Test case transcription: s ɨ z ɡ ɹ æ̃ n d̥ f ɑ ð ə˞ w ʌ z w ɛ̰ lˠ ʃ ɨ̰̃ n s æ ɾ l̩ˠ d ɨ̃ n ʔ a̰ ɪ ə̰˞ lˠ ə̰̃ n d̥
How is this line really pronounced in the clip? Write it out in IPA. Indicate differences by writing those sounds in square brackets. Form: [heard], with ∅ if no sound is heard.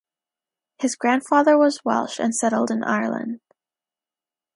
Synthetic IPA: [h] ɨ z ɡ ɹ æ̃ n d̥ f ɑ ð ə˞ w ʌ z w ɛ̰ lˠ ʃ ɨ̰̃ n s [ɛ] ɾ l̩ˠ d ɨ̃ n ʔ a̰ ɪ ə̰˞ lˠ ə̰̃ n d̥